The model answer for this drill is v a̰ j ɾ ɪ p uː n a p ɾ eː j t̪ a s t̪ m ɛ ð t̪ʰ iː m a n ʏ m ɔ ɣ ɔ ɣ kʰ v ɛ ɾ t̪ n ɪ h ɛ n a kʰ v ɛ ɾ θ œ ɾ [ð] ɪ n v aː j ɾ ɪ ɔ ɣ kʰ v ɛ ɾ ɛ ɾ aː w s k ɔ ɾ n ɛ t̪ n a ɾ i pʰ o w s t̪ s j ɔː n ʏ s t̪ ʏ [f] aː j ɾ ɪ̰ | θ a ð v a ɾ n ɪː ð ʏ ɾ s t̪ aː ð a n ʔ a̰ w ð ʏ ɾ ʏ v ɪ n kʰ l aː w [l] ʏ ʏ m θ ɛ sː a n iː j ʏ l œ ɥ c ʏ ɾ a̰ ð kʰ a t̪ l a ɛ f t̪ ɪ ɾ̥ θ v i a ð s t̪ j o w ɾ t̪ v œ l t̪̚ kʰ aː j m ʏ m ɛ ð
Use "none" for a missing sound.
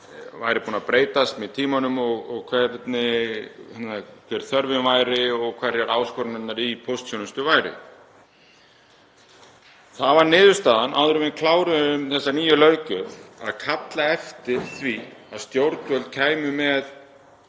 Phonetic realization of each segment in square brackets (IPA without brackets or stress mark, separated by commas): v, v, ɾ